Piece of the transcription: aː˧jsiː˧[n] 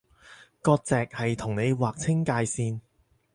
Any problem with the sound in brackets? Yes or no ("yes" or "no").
no